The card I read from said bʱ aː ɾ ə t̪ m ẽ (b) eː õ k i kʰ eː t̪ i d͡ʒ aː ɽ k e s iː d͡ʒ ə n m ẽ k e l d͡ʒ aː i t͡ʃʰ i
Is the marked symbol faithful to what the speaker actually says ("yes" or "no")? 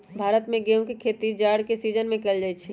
no